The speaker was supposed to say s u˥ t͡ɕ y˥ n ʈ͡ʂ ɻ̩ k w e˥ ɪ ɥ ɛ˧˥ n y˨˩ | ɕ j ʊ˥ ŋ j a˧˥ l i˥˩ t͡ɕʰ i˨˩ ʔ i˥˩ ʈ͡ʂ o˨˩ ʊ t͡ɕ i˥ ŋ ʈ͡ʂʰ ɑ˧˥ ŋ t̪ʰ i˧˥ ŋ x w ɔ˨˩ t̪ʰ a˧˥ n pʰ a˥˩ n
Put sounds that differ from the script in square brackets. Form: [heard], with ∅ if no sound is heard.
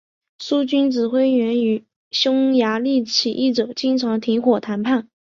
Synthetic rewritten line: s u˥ t͡ɕ y˥ n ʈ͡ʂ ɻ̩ [x] w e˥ ɪ ɥ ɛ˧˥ n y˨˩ | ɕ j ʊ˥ ŋ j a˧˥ l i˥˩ t͡ɕʰ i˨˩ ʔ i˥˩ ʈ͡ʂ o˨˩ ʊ t͡ɕ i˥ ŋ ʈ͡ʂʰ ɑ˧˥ ŋ t̪ʰ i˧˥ ŋ x w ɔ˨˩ t̪ʰ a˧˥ n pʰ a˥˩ n